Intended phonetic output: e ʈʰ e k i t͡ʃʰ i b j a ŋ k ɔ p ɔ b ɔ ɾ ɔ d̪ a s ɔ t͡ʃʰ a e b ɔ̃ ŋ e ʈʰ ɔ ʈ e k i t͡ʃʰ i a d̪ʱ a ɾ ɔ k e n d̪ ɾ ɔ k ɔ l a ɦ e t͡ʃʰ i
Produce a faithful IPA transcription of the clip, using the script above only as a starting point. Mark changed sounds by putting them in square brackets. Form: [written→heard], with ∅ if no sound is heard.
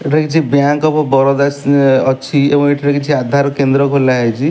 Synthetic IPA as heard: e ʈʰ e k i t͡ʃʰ i b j a ŋ k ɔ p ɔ b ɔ ɾ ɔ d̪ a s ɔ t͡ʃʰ [a→i] e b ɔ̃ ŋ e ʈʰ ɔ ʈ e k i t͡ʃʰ i a d̪ʱ a ɾ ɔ k e n d̪ ɾ ɔ k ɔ l a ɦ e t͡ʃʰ i